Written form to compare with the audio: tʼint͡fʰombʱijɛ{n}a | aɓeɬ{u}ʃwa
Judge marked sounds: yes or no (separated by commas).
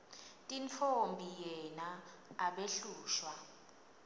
yes, no